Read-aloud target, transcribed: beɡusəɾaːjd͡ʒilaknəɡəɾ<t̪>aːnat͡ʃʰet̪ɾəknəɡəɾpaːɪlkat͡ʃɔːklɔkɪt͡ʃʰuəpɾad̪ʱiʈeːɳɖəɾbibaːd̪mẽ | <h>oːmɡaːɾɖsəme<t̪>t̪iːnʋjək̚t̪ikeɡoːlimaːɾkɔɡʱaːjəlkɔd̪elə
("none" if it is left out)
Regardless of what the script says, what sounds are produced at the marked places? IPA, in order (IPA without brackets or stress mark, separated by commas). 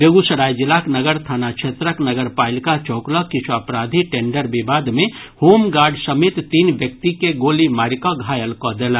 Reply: t̪ʰ, h, t̪